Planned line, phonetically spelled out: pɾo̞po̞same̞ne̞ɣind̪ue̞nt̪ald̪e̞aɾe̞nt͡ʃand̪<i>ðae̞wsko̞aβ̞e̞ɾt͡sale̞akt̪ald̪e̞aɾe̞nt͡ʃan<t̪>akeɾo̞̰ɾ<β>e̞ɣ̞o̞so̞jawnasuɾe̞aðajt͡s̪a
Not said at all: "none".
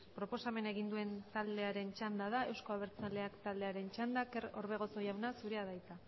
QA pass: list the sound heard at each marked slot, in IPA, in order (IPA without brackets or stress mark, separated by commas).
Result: a, d̪, β